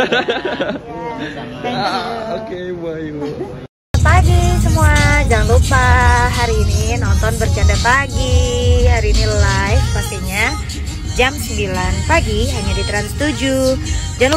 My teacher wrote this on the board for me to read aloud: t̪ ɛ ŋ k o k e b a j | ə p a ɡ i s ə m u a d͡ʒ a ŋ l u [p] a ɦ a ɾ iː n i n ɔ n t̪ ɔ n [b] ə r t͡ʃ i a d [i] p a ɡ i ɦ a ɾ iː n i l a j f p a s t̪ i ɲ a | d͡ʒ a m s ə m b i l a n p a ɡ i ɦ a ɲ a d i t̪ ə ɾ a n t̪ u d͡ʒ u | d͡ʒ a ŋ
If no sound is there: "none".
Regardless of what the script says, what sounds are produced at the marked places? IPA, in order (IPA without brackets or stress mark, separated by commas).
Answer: p, b, a